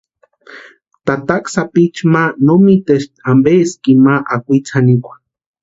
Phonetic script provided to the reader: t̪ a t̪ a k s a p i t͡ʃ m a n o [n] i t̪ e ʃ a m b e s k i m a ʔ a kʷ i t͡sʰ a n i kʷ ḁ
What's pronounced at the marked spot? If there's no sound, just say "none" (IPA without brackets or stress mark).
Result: m